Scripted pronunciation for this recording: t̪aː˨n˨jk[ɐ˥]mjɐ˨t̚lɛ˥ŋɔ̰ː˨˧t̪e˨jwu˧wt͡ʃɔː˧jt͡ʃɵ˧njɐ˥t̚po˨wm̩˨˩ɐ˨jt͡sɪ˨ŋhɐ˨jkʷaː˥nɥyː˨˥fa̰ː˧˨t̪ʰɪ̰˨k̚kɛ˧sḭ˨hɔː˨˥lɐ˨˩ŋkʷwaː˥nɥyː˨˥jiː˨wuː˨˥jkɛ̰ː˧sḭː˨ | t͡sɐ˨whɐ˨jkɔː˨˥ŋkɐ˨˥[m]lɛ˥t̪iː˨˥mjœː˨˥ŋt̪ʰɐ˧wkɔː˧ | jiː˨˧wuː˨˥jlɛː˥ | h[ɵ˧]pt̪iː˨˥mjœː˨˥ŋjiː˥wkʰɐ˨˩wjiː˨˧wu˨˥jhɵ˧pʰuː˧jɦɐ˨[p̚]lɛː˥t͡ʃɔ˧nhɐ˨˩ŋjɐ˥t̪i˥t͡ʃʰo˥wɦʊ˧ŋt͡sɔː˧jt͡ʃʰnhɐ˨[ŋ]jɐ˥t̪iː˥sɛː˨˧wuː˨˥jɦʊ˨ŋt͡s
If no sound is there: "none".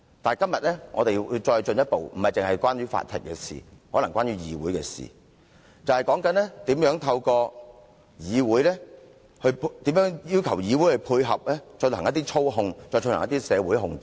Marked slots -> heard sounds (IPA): ɐ˥, n, ɵ˧, p̚, ŋ

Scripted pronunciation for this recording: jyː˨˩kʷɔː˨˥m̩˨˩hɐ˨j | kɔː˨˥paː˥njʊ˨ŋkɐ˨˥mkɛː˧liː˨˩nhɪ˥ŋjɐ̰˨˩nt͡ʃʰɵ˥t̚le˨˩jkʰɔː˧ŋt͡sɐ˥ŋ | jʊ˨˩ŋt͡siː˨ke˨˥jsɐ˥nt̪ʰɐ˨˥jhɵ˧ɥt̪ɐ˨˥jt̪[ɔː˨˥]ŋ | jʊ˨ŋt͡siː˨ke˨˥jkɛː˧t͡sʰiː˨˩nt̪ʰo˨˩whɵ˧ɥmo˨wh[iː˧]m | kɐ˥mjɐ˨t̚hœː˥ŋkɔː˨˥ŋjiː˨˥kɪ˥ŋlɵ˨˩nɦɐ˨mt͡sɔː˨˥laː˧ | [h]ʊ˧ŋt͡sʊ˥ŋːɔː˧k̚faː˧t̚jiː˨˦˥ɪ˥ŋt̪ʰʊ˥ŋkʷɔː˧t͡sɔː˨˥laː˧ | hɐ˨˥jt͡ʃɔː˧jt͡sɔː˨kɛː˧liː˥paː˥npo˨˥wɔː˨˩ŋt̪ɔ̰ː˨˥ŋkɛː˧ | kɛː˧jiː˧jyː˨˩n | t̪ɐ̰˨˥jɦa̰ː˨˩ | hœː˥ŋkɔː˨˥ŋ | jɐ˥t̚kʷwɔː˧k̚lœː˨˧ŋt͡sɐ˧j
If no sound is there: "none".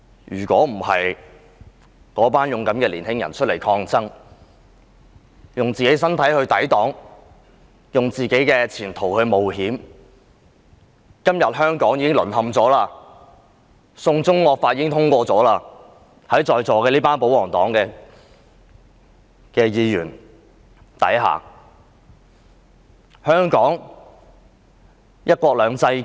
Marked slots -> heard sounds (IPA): ɔː˨˥, iː˨˥, s

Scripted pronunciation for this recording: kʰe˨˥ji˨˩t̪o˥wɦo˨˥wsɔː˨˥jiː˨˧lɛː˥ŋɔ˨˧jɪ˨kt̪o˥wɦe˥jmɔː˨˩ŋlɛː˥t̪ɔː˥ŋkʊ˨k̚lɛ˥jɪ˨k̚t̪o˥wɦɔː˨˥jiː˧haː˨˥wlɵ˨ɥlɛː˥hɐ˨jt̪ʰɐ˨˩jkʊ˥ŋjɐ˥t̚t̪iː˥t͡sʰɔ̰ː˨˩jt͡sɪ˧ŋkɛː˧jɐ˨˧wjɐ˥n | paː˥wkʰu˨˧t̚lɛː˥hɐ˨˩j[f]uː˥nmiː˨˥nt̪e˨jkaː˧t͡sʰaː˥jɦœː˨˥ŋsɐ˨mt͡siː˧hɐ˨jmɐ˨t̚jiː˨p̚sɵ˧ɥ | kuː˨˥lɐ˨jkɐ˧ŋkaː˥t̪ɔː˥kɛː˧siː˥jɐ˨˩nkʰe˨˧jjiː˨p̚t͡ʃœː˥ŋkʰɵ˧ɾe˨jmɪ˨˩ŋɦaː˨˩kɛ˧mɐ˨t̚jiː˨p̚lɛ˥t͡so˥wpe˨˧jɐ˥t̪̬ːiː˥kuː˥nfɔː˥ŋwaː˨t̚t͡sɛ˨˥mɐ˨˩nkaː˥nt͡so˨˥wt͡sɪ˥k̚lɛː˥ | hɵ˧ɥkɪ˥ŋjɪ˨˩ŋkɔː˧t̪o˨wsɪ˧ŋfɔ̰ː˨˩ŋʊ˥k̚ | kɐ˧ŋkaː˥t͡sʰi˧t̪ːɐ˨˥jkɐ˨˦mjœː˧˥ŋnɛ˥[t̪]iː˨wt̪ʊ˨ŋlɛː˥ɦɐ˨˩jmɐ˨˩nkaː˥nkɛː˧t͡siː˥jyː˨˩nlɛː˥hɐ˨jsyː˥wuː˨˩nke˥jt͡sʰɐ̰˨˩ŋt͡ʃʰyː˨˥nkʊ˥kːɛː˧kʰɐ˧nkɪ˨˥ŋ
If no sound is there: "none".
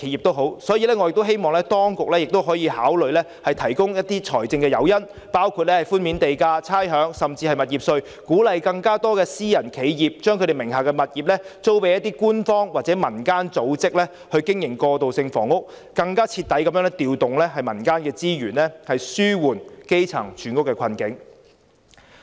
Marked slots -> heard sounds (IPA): f, t̪

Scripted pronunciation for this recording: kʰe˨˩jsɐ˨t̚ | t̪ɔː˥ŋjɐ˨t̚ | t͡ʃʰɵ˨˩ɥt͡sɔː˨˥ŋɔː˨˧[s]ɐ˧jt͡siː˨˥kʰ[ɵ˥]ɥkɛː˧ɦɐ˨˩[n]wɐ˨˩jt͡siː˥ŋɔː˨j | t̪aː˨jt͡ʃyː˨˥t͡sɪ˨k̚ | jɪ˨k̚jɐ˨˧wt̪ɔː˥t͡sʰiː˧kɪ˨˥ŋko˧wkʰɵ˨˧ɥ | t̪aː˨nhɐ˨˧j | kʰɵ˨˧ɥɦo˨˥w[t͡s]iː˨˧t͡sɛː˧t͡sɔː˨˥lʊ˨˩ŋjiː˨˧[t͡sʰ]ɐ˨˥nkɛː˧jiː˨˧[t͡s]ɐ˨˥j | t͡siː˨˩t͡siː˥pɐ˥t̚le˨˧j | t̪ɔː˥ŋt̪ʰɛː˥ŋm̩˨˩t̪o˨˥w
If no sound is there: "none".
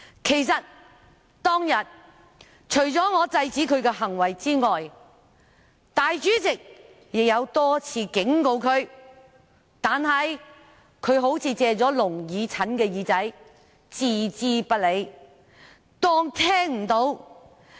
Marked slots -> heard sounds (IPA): t͡s, ɵ˨˧, ŋ, t͡sʰ, t͡sʰ, t͡s

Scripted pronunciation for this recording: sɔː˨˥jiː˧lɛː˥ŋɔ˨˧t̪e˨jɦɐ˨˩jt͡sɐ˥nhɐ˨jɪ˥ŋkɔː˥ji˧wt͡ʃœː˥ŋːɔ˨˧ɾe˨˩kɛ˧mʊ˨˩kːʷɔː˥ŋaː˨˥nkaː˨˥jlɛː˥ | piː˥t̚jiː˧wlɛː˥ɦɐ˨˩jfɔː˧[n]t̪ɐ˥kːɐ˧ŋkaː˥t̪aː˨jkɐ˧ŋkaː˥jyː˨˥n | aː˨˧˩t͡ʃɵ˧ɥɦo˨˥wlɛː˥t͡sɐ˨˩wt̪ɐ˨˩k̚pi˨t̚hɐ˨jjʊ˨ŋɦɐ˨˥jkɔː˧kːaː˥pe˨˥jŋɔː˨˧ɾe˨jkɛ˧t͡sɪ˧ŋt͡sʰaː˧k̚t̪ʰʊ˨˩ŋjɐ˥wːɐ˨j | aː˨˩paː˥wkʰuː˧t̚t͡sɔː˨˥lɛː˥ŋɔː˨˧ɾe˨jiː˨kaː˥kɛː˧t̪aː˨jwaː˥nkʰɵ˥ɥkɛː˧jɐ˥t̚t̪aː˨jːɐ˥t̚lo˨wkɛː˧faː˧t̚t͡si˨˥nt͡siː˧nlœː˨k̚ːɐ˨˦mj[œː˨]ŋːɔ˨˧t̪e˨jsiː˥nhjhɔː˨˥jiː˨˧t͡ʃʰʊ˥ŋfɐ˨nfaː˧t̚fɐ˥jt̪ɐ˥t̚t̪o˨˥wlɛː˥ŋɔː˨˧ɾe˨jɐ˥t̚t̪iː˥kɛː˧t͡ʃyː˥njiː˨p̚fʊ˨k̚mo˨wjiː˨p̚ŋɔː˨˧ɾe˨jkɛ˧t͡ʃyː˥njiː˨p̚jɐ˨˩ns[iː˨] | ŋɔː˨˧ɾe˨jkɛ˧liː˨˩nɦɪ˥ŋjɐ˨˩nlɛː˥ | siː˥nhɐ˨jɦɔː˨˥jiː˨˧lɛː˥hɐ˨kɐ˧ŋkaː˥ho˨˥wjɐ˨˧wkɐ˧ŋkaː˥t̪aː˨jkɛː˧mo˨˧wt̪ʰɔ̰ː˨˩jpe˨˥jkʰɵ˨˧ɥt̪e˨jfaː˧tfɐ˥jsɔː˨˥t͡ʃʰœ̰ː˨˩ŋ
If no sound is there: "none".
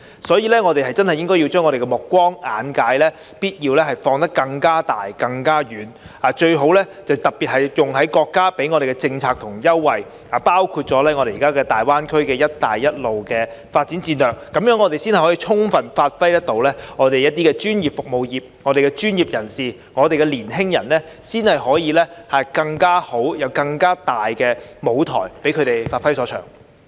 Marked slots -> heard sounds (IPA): ŋ, œː˨˥, iː˨

